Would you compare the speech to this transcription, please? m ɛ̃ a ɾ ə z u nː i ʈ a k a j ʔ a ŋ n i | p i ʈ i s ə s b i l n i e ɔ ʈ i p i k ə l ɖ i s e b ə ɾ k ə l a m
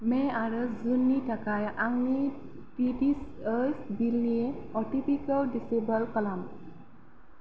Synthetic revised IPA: m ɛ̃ a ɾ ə z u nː i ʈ a k a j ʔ a ŋ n i | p i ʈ i s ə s b i l n i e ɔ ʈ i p i k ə l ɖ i s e b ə l k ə l a m

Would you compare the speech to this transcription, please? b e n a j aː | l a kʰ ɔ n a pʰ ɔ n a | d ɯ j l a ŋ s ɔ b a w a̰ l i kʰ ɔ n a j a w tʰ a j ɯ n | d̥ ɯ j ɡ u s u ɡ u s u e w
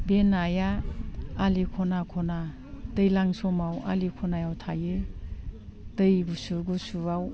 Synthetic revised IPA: b e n a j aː | l i kʰ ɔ n a kʰ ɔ n a | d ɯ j l a ŋ s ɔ m a w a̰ l i kʰ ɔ n a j a w tʰ a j ɯ | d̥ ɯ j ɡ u s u ɡ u s u a w

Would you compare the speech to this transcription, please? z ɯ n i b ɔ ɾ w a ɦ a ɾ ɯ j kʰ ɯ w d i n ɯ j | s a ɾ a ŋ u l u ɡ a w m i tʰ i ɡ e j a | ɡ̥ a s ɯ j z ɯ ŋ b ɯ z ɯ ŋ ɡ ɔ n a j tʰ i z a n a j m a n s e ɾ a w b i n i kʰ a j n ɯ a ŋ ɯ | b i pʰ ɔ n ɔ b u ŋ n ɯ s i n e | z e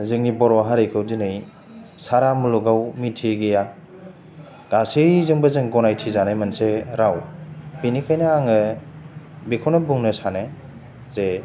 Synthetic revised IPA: z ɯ ŋ i b ɔ ɾ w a ɦ a ɾ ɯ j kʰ ɯ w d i n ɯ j | s a ɾ a m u l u ɡ a w m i tʰ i ɡ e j a | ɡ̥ a s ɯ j z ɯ ŋ b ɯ z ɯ ŋ ɡ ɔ n a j tʰ i z a n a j m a n s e ɾ a w b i n i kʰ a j n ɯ a ŋ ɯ | b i kʰ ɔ n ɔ b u ŋ n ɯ s a n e | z e

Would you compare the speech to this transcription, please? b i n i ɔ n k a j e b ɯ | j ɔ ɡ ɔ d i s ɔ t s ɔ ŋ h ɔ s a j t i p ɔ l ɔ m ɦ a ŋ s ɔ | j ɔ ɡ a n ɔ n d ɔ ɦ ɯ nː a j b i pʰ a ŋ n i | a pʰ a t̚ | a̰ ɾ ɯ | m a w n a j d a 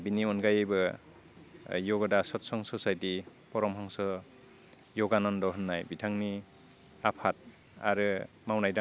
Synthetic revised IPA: b i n i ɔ n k a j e b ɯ | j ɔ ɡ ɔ d a s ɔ t s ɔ ŋ s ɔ s a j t i p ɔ ɾ ɔ m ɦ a ŋ s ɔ | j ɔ ɡ a n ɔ n d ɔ ɦ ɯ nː a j b i tʰ a ŋ n i | a pʰ a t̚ | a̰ ɾ ɯ | m a w n a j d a

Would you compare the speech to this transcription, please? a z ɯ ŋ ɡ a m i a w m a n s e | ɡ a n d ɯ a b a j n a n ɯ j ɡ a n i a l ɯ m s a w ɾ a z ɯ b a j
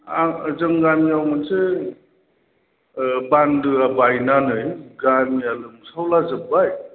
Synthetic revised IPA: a z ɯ ŋ ɡ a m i a w m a n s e | b a n d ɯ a b a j n a n ɯ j ɡ a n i a l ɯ m s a w l a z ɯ b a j

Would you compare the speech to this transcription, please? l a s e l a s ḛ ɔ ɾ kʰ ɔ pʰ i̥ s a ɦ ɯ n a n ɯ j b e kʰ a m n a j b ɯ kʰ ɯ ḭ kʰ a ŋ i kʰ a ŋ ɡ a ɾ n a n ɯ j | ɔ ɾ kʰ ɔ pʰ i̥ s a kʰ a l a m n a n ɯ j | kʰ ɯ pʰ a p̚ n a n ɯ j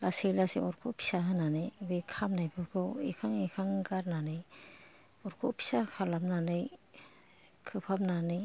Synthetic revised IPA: l a s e l a s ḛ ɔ ɾ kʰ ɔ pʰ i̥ s a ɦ ɯ n a n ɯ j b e kʰ a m n a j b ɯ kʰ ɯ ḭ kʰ a ŋ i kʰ a ŋ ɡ a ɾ n a n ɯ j | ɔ ɾ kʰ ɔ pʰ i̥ s a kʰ a l a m n a n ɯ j | kʰ ɯ pʰ a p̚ n a n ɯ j

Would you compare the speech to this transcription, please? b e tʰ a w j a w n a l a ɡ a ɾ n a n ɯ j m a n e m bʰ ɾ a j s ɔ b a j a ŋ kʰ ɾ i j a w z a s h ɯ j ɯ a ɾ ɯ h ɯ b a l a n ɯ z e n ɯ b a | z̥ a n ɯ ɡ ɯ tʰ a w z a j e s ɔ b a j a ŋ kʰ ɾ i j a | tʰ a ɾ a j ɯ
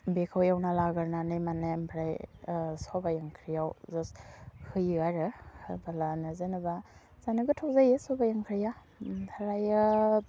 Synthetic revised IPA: b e kʰ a w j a w n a l a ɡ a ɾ n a n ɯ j m a n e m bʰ ɾ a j s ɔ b a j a ŋ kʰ ɾ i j a w z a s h ɯ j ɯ a ɾ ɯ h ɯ b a l a n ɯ z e n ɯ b a | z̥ a n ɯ ɡ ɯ tʰ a w z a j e s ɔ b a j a ŋ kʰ ɾ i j a | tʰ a ɾ a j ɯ

